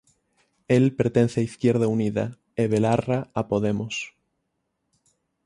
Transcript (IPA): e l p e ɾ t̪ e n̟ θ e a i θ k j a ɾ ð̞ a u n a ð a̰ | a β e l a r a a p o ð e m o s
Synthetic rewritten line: e l p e ɾ t̪ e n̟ θ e a i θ k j e ɾ ð̞ a u n i ð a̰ | e β e l a r a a p o ð e m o s